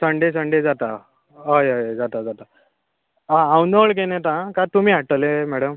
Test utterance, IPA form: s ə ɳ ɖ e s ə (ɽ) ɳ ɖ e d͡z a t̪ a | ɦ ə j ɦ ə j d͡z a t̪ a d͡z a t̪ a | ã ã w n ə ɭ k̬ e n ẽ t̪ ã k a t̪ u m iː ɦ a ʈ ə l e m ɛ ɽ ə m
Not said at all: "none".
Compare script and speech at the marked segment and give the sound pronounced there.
none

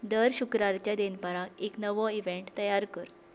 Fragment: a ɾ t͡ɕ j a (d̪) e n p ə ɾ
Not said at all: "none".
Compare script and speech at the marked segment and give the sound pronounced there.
d̪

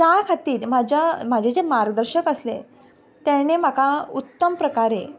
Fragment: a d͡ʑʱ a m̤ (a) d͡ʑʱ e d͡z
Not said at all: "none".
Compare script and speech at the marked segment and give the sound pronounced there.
a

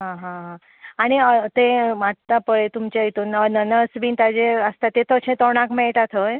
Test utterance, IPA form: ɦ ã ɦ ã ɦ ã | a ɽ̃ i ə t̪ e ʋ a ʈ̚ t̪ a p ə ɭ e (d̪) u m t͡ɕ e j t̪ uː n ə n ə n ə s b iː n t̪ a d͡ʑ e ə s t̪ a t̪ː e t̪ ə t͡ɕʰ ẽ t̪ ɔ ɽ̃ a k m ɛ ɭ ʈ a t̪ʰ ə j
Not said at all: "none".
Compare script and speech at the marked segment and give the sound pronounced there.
t̪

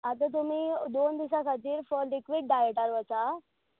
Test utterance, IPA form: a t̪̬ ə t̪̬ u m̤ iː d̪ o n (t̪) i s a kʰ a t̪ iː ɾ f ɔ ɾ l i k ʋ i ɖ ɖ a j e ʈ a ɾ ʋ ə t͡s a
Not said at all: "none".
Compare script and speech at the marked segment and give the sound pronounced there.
d̪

